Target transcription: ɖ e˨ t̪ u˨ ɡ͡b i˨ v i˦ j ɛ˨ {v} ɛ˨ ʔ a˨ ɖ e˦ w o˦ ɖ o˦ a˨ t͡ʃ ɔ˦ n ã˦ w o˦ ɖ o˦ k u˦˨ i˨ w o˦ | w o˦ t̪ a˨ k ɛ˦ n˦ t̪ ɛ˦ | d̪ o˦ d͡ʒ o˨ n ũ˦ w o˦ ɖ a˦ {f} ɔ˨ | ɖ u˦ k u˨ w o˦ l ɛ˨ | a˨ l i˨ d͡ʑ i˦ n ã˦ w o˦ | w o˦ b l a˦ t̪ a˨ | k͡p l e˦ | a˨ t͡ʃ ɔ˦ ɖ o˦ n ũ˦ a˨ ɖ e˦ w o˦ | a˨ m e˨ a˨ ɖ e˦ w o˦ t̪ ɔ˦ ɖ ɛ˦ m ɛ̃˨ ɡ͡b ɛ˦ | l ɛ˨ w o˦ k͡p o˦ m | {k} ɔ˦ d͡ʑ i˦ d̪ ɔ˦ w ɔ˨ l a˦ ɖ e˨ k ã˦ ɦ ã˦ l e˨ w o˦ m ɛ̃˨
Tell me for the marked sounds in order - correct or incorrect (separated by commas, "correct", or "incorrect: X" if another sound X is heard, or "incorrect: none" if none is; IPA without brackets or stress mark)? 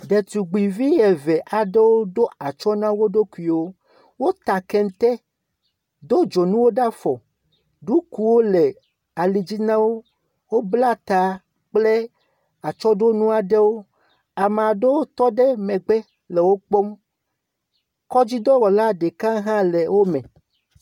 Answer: correct, correct, correct